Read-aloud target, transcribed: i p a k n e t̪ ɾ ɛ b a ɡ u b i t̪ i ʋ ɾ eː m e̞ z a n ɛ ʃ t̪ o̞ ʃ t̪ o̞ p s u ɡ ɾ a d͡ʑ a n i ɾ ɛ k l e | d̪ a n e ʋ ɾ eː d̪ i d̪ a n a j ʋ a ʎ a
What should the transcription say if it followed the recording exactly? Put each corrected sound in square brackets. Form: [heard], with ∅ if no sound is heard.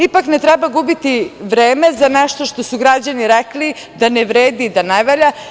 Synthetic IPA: i p a k n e t̪ ɾ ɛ b a ɡ u b i t̪ i ʋ ɾ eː m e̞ z a n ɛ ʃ t̪ o̞ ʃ t̪ o̞ [∅] s u ɡ ɾ a d͡ʑ a n i ɾ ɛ k l [i] | d̪ a n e ʋ ɾ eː d̪ i d̪ a n a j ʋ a ʎ a